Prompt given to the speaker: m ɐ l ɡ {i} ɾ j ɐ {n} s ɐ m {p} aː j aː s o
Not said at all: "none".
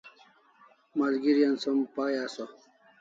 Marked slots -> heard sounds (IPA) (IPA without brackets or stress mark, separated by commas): i, n, p